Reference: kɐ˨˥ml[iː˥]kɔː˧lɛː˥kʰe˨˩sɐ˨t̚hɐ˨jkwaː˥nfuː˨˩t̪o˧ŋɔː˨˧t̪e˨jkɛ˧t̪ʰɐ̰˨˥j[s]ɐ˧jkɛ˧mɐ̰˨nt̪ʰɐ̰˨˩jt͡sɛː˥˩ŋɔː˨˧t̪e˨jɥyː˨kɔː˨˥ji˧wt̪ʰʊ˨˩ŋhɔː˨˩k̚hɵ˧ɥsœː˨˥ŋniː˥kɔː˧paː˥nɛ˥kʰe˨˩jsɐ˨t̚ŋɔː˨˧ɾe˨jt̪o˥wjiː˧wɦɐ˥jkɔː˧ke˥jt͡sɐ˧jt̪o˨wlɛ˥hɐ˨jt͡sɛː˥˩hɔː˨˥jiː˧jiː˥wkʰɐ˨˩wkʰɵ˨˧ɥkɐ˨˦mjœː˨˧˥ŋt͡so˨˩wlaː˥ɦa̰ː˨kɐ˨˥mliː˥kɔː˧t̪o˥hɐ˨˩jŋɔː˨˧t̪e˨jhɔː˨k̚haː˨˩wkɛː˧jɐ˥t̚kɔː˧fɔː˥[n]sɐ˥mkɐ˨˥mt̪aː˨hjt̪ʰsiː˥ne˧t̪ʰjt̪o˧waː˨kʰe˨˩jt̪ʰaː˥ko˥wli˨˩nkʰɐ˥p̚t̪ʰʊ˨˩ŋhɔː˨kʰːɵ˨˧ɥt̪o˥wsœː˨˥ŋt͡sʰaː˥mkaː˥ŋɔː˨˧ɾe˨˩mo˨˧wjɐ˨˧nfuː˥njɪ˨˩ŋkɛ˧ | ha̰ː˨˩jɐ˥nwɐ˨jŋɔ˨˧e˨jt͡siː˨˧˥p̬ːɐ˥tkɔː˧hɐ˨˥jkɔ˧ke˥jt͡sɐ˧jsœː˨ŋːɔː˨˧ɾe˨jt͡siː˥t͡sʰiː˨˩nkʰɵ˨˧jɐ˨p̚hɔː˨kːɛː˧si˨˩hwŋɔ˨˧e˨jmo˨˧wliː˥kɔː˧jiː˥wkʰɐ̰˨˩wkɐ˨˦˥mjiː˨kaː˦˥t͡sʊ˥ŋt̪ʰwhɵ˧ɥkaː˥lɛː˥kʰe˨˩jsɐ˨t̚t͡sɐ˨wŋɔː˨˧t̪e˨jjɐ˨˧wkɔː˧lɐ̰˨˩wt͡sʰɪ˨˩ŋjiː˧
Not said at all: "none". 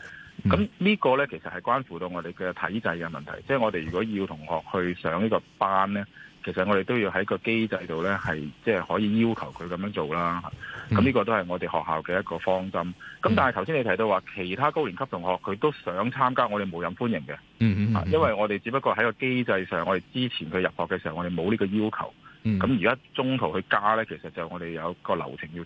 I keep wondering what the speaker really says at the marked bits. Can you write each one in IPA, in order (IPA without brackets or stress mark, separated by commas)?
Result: iː˥, t͡s, ŋ